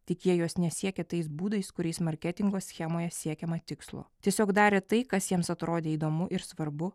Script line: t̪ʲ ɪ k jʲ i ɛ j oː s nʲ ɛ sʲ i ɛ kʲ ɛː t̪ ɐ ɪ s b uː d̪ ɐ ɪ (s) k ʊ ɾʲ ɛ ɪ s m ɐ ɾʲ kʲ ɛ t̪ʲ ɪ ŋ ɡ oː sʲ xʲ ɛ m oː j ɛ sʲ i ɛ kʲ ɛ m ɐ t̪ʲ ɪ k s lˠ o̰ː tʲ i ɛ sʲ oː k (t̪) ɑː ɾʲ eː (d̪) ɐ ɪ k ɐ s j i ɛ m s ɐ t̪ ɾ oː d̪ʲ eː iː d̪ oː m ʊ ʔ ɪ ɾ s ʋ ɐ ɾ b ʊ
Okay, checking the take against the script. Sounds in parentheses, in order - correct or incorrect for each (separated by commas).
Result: correct, incorrect, incorrect